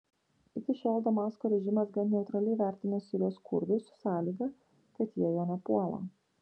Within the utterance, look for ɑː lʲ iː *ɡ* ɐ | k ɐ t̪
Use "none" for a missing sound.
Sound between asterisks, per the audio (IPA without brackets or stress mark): ɡ